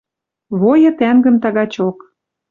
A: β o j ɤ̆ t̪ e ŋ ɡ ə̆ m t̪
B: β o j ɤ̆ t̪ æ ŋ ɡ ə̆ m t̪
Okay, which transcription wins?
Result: B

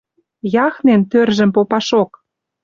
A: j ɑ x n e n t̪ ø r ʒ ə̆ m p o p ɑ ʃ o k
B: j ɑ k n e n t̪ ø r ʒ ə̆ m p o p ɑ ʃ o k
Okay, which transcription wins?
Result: A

